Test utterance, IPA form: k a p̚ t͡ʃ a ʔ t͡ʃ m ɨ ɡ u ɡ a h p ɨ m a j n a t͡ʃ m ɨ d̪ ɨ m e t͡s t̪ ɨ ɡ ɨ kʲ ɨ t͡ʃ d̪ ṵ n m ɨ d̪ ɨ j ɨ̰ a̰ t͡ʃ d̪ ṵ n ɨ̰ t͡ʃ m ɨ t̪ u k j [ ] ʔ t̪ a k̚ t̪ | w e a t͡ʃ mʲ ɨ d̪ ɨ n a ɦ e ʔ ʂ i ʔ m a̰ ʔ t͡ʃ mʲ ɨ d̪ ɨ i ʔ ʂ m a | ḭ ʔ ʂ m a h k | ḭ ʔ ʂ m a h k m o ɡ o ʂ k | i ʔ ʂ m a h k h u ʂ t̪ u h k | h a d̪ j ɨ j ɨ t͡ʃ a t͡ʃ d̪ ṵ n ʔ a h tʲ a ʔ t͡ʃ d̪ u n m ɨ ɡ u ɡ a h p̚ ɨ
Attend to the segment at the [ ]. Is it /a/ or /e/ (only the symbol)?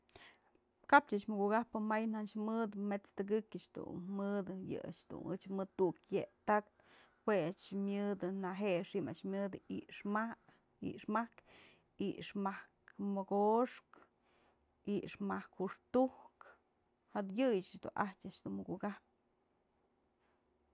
e